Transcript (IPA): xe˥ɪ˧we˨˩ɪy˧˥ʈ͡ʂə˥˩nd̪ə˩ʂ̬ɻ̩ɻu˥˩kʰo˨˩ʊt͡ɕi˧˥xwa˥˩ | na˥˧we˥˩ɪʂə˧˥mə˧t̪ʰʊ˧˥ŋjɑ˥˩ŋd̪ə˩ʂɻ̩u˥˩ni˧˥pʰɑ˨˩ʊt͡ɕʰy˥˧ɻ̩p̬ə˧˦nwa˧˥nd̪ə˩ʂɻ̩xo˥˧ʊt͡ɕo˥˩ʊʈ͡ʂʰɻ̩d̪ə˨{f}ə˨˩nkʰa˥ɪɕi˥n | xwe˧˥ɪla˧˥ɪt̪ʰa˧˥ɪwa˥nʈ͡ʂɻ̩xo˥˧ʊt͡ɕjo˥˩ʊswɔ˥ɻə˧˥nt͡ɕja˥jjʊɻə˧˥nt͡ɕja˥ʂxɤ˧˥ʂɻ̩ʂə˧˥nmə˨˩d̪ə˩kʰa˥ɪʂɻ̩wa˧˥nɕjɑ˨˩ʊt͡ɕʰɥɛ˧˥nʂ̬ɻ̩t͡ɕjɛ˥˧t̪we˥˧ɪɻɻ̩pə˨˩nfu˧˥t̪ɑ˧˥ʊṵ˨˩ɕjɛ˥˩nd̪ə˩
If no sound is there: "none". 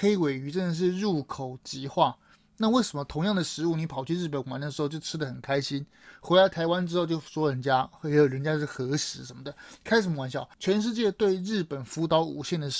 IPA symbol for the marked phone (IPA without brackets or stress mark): x